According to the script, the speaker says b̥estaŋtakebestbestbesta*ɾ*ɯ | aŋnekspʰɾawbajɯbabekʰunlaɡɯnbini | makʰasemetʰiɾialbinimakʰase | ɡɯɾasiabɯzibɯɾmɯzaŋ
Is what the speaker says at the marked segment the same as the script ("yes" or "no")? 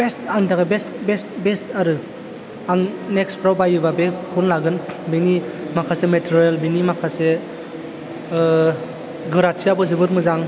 yes